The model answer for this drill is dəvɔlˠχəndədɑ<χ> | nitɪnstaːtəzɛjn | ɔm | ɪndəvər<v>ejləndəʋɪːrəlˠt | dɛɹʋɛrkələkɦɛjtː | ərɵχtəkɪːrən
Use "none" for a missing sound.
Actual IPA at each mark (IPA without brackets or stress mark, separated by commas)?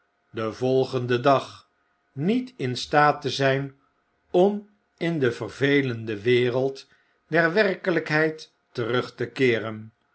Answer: χ, v